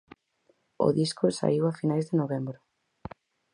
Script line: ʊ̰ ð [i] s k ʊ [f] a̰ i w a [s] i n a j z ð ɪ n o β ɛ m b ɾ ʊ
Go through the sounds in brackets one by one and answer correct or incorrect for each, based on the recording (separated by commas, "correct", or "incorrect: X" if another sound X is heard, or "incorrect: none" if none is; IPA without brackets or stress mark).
correct, incorrect: s, incorrect: f